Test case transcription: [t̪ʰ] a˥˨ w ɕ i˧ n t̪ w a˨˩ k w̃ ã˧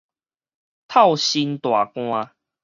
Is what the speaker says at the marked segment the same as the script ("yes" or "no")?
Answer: yes